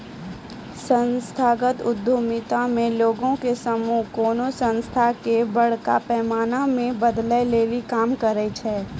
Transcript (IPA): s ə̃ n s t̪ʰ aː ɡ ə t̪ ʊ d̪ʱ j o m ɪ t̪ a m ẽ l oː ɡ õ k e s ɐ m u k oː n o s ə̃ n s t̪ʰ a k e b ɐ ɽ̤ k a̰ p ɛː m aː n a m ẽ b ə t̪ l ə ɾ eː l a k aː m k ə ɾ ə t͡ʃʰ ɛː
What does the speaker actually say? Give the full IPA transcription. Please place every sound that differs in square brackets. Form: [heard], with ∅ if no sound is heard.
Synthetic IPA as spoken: s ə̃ n s t̪ʰ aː ɡ ə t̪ ʊ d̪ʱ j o m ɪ t̪ a m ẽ l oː ɡ õ k e s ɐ m u k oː n o s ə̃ n s t̪ʰ a k e b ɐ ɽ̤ k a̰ p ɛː m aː n a m ẽ b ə [d̪] l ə [l] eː l [i] k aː m k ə ɾ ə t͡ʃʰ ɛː